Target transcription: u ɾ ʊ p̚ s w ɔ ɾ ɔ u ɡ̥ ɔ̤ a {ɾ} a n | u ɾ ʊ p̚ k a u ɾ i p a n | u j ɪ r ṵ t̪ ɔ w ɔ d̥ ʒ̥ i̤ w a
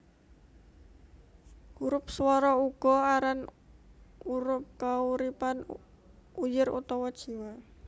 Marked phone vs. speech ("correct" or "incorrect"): correct